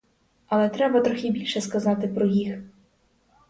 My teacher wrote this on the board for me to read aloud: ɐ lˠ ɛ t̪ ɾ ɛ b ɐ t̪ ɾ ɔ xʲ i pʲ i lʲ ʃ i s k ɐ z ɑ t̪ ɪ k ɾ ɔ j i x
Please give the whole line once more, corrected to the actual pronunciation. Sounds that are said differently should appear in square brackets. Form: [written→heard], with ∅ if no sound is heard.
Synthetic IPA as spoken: ɐ lˠ ɛ t̪ ɾ ɛ b ɐ t̪ ɾ ɔ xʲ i [pʲ→bʲ] i lʲ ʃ [i→ɛ] s k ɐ z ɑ t̪ ɪ [k→p] ɾ ɔ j i x